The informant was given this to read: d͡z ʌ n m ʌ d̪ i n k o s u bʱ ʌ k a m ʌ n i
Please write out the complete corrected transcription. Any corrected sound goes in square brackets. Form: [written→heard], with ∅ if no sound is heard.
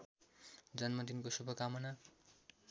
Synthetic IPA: d͡z ʌ n m ʌ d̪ i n k o s u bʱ ʌ k a m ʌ n [i→a]